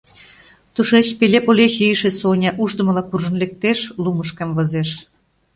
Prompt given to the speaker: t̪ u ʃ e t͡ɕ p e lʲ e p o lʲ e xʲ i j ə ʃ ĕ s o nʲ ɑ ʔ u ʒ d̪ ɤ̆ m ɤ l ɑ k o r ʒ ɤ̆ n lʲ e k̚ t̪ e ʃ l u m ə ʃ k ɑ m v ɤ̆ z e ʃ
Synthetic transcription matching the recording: t̪ u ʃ e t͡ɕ p e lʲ e p o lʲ e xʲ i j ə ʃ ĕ s o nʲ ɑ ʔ u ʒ d̪ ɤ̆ m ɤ l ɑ k u r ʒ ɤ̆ n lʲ e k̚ t̪ e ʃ l u m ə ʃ k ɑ m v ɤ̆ z e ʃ

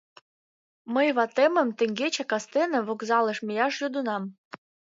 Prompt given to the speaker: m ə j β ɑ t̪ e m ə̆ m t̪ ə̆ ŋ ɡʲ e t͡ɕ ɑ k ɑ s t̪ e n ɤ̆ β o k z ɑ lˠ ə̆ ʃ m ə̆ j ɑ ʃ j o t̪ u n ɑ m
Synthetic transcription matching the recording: m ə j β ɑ t̪ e m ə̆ m t̪ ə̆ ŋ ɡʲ e t͡ɕ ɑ k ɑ s t̪ e n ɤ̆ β o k z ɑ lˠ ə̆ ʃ m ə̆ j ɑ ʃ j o d̪ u n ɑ m

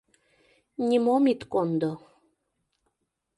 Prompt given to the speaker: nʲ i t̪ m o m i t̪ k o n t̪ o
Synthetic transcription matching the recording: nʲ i m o m i t̪ k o n d̪ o

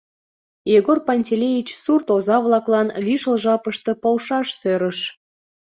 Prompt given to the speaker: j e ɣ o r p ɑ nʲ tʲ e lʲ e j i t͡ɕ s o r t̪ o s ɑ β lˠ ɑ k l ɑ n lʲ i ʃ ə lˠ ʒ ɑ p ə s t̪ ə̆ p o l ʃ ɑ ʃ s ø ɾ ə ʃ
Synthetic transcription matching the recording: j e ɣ o r p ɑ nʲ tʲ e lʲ e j i t͡ɕ s u r t̪ o z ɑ β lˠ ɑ k l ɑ n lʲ i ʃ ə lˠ ʒ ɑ p ə ʃ t̪ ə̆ p o l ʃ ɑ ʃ s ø ɾ ə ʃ

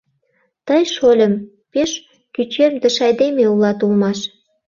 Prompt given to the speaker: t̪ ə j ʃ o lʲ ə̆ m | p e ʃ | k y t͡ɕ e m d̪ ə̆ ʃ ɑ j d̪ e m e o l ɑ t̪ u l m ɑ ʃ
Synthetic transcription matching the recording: t̪ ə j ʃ o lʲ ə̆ m | p e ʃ | k y t͡ɕ e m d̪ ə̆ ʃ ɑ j d̪ e m e u l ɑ t̪ u l m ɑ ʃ

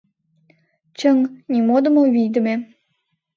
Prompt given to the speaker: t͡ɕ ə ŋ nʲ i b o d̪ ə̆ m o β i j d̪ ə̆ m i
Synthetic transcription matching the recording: t͡ɕ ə ŋ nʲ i m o d̪ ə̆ m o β i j d̪ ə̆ m e

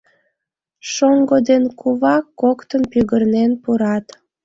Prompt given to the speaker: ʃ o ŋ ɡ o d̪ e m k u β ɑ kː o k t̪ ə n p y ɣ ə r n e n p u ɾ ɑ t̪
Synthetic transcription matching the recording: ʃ o ŋ ɡ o d̪ e n k u β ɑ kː o k t̪ ə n p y ɣ ə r n e n p u ɾ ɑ t̪

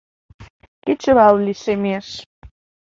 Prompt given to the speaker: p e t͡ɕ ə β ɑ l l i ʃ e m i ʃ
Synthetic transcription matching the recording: k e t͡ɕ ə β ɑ l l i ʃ e m e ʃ

